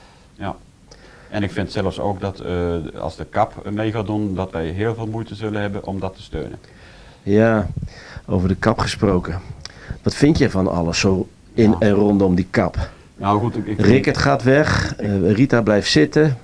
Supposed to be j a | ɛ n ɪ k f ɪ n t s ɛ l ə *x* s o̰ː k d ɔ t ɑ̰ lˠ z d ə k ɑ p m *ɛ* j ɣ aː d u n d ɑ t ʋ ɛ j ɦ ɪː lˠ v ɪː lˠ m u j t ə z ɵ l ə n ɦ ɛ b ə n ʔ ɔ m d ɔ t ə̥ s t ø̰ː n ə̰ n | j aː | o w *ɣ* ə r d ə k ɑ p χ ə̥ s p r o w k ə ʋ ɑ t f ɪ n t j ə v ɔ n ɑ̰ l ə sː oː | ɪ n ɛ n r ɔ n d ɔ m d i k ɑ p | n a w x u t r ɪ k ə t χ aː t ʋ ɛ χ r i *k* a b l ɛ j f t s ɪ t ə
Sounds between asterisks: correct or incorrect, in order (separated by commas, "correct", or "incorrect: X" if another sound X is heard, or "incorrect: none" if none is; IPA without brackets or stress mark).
incorrect: f, incorrect: e, incorrect: v, incorrect: t